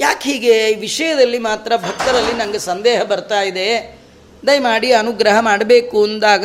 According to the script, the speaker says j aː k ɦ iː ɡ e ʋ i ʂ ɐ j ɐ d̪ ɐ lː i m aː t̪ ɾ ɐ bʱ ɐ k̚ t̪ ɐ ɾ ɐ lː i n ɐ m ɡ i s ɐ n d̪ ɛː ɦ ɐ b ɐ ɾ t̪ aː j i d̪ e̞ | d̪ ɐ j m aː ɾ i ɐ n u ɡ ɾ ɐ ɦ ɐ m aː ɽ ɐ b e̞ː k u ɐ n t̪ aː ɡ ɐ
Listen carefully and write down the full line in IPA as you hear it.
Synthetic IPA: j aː k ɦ iː ɡ e ʋ i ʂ ɐ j ɐ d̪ ɐ lː i m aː t̪ ɾ ɐ bʱ ɐ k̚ t̪ ɐ ɾ ɐ lː i n ɐ ŋ ɡ e s ɐ n d̪ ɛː ɦ ɐ b ɐ ɾ t̪ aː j i d̪ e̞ | d̪ ɐ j m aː ɽ i ɐ n u ɡ ɾ ɐ ɦ ɐ m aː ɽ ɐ b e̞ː k u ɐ n d̪ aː ɡ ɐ